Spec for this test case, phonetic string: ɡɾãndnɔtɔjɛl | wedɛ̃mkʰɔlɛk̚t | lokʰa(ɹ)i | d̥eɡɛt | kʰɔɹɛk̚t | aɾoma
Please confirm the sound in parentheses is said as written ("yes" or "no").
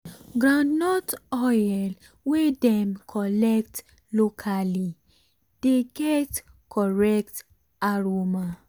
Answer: no